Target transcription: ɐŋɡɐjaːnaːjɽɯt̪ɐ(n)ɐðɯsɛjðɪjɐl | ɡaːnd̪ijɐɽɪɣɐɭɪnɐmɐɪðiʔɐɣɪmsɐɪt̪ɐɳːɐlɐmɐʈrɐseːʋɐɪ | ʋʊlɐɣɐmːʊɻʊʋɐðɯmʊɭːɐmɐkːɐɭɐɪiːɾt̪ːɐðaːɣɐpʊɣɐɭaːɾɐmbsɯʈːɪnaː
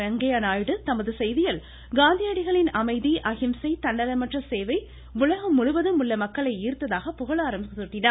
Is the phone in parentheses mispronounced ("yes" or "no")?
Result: yes